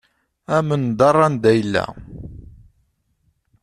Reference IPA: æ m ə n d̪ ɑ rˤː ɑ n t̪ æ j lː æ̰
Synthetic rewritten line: æ m ə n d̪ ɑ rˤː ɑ n d̪ æ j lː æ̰